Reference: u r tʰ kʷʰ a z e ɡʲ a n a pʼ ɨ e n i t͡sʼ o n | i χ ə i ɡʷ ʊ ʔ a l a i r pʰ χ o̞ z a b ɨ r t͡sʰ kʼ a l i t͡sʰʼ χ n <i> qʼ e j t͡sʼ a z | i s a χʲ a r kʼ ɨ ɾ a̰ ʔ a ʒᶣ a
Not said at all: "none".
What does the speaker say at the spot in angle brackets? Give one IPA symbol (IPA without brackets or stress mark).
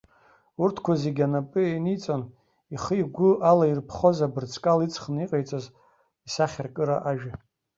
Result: i